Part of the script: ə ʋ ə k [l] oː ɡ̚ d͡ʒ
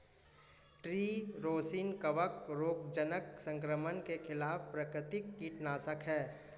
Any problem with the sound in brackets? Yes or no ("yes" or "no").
yes